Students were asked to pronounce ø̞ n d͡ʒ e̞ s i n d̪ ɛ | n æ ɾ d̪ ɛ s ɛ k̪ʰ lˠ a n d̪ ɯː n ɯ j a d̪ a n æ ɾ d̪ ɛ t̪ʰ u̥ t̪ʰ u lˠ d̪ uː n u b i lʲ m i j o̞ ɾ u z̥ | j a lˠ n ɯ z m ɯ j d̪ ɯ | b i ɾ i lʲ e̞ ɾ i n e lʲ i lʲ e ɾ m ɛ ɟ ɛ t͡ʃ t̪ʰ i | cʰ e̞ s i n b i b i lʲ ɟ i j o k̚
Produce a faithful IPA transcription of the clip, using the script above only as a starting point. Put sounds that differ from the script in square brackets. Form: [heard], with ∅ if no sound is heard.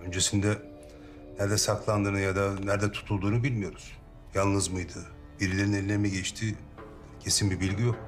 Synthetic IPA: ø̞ n d͡ʒ e̞ s i n d̪ ɛ | n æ ɾ d̪ ɛ s [a] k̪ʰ lˠ a n d̪ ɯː n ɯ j a d̪ a n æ ɾ d̪ ɛ t̪ʰ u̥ t̪ʰ u lˠ d̪ uː n u b i lʲ m i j o̞ ɾ u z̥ | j a lˠ n ɯ z m ɯ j d̪ ɯ | b i ɾ i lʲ e̞ ɾ i n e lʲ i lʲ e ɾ m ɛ ɟ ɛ t͡ʃ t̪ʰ i | cʰ e̞ s i n b i b i lʲ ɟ i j o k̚